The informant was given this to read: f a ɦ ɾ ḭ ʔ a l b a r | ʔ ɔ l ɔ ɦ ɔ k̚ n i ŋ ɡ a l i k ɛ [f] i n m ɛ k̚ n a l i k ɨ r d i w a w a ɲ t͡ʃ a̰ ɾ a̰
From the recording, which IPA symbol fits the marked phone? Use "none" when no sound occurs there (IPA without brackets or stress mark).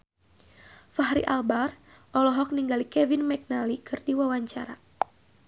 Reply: v